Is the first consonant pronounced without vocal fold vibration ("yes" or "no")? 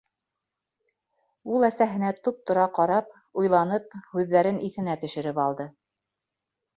no